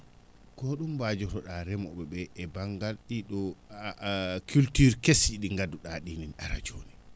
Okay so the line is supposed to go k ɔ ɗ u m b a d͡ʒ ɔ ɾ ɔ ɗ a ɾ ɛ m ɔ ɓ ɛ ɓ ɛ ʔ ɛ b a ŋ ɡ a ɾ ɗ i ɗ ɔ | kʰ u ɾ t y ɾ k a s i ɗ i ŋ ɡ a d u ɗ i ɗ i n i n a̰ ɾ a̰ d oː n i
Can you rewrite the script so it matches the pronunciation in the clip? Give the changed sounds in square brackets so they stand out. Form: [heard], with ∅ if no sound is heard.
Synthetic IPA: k ɔ ɗ u m b a d͡ʒ ɔ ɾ ɔ ɗ a ɾ ɛ m ɔ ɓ ɛ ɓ ɛ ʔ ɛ b a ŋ ɡ a [l] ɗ i ɗ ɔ | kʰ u [l] t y ɾ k [e] s i ɗ i ŋ ɡ a d u ɗ [a] ɗ i n i n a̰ ɾ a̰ [d͡ʒ] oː n i